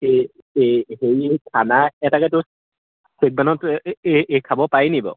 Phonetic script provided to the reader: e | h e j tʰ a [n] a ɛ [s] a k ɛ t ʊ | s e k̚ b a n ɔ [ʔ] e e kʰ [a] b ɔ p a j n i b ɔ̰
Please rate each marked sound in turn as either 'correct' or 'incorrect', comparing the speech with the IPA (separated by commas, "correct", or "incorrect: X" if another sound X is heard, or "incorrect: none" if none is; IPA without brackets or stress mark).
correct, incorrect: t, incorrect: t, correct